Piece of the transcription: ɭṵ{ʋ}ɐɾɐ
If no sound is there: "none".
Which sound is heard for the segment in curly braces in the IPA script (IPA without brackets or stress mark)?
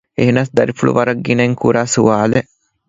ʋ